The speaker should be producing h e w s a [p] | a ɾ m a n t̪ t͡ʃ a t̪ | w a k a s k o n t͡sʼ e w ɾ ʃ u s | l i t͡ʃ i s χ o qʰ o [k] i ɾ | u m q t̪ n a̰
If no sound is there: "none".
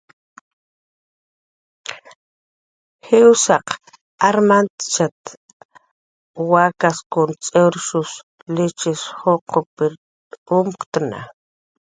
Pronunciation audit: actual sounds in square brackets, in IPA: q, p

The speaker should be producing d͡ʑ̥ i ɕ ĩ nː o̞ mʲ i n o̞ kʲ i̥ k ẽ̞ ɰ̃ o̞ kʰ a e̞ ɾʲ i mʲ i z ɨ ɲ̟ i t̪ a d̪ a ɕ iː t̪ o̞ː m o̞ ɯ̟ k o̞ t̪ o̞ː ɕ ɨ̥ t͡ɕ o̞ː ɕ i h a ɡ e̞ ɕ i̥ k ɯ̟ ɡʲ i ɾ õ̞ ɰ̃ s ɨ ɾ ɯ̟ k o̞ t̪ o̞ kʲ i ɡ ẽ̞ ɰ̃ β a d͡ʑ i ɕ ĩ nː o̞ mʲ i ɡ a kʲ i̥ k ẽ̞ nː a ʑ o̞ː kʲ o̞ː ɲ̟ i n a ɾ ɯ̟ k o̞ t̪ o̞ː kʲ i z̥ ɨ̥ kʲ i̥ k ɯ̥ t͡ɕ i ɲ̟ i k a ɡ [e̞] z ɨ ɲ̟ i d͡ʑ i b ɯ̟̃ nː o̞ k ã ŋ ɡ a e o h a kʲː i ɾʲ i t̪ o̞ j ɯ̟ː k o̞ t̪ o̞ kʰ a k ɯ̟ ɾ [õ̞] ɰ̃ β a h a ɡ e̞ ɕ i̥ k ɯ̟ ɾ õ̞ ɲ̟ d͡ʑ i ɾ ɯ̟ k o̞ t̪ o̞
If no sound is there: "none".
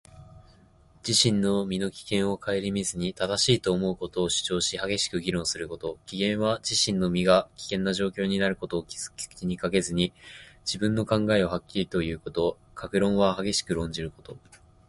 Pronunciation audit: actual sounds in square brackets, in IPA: e̞, õ̞

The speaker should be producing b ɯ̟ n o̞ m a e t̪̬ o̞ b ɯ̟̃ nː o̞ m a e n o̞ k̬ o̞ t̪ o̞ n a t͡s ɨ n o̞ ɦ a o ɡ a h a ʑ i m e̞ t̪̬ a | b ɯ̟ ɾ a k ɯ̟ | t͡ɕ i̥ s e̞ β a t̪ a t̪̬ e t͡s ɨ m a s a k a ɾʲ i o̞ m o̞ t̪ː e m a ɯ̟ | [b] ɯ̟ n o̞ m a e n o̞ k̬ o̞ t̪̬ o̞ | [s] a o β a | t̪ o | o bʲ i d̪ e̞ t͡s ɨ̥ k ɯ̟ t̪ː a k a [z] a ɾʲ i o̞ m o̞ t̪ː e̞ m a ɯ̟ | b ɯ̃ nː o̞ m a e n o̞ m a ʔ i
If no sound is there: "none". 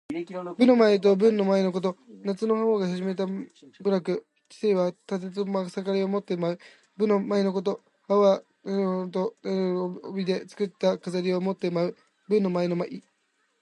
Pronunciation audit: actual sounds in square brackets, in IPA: b, h, z

